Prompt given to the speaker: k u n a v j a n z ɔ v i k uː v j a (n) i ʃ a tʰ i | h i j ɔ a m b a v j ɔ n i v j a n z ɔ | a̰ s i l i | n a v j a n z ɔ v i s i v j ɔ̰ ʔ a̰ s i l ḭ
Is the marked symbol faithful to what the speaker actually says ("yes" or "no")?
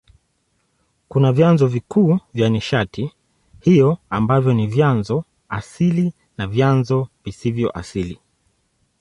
yes